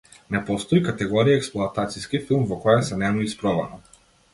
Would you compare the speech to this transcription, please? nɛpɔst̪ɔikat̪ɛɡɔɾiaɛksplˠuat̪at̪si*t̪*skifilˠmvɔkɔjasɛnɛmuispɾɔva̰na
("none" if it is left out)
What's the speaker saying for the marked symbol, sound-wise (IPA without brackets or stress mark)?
none